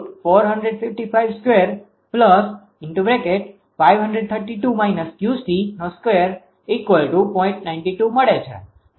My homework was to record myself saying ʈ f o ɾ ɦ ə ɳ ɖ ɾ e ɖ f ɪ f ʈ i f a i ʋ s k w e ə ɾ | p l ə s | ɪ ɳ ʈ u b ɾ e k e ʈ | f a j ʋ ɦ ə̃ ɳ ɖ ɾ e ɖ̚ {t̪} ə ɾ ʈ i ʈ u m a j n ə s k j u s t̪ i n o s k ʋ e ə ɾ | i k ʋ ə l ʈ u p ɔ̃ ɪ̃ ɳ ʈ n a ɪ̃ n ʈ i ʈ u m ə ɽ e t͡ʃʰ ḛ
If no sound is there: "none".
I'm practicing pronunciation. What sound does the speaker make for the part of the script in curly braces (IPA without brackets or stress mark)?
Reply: t̪ʰ